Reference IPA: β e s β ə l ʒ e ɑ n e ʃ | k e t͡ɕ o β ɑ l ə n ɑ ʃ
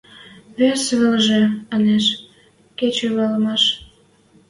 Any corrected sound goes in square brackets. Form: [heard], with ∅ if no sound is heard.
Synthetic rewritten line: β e s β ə l ʒ e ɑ n e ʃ | k e t͡ɕ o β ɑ l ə [m] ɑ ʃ